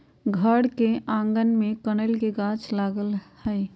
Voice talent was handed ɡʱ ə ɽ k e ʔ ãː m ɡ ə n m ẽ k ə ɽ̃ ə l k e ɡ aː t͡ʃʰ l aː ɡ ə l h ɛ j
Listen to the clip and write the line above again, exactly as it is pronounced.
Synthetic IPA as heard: ɡʱ ə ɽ k e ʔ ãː ŋ ɡ ə n m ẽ k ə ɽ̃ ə l k e ɡ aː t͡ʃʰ l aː ɡ ə l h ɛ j